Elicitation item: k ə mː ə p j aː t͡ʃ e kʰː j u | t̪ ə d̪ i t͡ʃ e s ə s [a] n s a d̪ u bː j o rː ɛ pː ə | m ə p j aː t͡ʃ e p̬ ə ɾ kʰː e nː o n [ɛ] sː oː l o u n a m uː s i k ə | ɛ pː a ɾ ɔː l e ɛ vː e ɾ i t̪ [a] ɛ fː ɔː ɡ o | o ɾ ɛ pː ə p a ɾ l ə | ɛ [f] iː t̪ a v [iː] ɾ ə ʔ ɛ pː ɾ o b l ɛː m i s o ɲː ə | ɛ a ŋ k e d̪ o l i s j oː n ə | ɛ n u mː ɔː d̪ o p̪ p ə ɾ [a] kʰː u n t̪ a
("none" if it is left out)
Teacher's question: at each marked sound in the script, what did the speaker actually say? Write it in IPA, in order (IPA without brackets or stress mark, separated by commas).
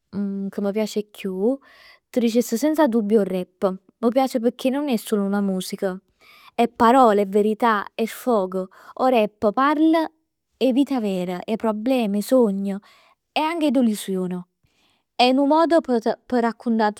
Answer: ɛ, ɛ, a, v, ɛː, a